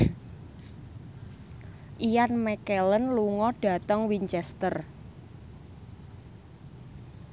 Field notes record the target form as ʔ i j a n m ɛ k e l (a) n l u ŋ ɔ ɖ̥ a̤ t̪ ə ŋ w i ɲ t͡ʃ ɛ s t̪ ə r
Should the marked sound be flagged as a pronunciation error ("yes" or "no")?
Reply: yes